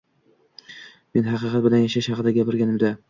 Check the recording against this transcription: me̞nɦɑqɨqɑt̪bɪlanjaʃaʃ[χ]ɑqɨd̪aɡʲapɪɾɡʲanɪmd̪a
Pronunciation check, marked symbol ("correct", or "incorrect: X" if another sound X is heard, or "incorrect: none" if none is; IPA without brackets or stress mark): incorrect: h